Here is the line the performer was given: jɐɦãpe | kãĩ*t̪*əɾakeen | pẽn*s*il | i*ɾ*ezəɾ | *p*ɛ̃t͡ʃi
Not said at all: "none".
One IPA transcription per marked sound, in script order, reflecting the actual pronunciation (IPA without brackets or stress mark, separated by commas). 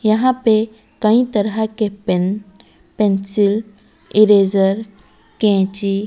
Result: t̪, s, ɾ, k